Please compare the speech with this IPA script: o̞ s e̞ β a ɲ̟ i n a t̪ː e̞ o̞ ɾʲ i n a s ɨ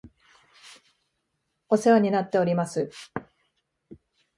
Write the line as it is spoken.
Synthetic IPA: o̞ s e̞ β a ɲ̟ i n a t̪ː e̞ o̞ ɾʲ i m a s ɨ